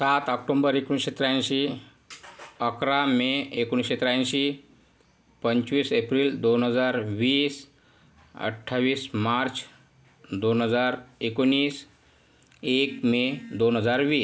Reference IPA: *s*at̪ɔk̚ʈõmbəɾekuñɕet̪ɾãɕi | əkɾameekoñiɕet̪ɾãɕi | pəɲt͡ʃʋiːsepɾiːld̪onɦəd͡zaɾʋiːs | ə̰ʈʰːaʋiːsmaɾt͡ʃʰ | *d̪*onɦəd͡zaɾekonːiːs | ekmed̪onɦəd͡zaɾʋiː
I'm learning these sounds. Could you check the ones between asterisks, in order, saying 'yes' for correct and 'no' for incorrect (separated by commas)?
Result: yes, yes